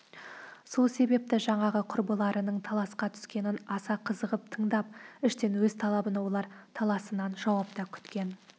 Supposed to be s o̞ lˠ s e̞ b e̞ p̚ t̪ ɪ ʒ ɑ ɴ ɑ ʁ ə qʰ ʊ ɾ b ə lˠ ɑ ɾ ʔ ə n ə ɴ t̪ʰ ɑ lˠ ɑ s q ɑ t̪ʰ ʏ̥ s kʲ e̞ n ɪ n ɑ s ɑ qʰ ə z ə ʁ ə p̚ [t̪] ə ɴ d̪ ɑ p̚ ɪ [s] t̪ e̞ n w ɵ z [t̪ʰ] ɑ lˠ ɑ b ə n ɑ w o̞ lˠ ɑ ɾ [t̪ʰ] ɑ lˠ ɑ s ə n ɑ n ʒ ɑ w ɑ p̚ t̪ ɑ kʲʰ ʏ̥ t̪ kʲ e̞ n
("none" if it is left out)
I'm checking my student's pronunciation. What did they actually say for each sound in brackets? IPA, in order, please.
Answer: t̪ʰ, ʃ, t̪ʰ, t̪ʰ

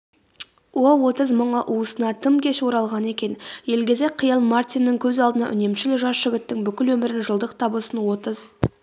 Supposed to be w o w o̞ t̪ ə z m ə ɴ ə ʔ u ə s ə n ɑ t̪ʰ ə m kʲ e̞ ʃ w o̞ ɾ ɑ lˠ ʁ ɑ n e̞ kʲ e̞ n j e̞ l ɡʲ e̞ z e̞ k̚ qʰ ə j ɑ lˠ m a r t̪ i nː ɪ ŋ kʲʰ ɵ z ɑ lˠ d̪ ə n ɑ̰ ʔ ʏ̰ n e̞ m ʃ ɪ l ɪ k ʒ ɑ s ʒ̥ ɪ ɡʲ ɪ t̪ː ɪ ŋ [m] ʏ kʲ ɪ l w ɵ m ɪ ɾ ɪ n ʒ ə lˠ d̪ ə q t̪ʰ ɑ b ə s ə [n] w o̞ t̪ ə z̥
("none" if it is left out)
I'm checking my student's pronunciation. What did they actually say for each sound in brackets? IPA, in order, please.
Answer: b, n

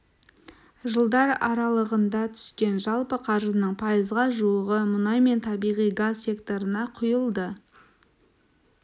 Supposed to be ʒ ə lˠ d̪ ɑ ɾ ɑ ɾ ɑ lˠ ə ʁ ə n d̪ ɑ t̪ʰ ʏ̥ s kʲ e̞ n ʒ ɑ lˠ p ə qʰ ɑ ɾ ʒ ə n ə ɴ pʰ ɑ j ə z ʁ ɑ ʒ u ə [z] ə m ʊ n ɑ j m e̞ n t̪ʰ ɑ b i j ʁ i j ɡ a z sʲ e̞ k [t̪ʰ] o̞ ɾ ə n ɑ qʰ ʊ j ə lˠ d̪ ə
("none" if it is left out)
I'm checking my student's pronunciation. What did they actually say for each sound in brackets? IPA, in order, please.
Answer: ʁ, t̪

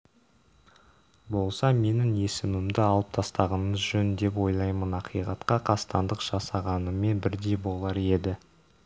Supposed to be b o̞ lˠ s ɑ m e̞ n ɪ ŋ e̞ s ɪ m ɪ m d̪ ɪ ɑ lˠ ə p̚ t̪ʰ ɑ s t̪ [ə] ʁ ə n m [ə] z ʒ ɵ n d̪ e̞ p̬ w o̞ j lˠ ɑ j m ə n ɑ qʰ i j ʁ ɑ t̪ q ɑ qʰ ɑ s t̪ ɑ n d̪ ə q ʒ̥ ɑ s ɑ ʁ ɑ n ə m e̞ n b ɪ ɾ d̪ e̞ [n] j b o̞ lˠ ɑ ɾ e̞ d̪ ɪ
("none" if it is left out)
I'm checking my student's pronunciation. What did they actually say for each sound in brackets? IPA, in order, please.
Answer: ɑ, ə, none

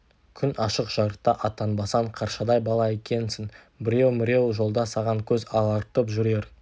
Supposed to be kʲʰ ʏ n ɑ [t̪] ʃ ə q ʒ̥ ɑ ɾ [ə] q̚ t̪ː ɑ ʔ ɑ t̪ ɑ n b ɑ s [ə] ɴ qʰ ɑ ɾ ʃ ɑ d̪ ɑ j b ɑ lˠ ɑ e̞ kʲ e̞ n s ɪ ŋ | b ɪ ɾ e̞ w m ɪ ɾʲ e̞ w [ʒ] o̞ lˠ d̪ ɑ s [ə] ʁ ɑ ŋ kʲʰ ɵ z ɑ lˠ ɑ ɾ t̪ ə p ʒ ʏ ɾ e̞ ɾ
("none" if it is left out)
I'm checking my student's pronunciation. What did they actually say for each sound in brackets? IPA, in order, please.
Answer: none, ə, ɑ, ʒ, ɑ

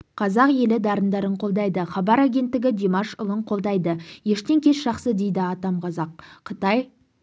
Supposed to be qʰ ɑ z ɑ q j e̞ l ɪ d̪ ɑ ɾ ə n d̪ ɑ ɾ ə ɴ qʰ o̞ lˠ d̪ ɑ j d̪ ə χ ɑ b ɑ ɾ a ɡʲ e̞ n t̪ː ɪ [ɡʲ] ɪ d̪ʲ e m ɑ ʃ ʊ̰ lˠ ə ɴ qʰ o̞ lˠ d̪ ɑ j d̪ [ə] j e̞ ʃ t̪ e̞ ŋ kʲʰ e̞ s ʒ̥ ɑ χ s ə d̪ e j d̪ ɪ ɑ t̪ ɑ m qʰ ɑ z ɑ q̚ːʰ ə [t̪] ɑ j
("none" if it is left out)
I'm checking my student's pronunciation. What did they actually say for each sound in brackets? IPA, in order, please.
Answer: ɡʲ, ə, t̪

